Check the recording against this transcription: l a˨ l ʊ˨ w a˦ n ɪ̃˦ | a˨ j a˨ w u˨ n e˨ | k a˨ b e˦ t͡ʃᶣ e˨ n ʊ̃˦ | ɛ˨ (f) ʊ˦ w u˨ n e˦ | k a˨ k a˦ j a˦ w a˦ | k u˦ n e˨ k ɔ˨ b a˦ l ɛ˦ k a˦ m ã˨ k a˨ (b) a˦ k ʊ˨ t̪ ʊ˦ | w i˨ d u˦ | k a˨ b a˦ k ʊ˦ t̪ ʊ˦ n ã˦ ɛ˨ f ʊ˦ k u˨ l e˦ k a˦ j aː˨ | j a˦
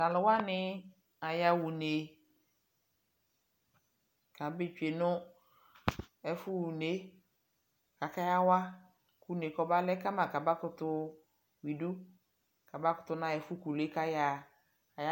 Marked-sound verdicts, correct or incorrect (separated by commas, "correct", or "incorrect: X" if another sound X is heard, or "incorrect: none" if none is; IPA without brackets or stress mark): correct, correct